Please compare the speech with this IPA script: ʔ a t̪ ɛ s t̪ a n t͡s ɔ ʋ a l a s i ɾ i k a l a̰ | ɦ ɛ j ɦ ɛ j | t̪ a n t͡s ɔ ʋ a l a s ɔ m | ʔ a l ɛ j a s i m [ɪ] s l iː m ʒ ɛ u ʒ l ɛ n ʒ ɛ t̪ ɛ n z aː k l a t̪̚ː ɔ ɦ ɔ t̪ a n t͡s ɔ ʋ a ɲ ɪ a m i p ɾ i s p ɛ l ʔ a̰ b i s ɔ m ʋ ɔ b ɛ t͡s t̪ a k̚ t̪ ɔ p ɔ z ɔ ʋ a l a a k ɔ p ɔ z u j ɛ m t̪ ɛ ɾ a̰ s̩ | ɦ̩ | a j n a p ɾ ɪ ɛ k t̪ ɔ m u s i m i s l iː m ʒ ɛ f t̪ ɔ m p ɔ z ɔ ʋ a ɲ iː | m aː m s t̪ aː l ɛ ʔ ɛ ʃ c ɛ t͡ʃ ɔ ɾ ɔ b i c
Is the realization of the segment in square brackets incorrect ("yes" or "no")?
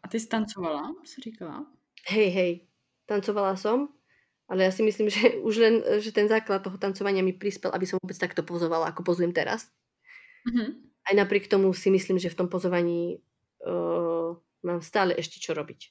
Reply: yes